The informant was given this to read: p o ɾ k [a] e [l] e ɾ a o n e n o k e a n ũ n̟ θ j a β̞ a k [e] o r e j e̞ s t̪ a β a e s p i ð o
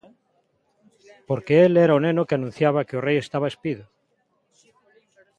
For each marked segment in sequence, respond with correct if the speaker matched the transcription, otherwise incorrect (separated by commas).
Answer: incorrect, correct, correct